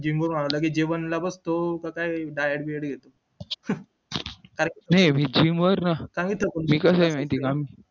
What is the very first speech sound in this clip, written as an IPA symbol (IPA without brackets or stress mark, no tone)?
d͡ʑ